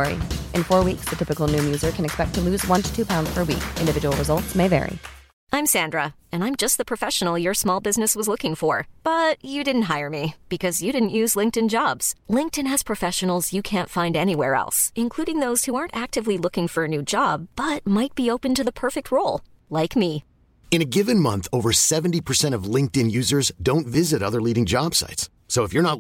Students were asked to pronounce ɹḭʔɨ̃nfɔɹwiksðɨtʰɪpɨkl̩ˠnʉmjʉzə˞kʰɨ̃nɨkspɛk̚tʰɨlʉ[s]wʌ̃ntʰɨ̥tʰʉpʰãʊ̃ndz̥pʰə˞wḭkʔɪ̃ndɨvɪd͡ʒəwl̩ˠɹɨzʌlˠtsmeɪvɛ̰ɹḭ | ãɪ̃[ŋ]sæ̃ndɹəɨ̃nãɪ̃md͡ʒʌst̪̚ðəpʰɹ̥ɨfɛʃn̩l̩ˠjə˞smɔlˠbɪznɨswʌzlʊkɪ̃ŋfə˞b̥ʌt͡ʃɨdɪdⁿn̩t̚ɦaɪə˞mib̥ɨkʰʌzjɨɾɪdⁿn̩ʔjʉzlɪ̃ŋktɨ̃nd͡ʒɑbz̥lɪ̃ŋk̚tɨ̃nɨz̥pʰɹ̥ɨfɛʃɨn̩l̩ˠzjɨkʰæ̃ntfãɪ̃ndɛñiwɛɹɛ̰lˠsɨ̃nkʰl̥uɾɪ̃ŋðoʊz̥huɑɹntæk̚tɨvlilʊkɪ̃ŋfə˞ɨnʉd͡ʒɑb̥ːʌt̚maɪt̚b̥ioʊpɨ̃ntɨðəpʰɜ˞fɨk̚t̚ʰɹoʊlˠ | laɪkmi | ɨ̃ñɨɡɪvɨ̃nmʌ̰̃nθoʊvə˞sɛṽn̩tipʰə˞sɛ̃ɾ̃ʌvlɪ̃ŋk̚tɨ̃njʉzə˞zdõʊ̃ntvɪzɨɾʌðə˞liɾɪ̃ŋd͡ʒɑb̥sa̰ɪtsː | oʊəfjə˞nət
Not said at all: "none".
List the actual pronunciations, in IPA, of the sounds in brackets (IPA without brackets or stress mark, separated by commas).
z, m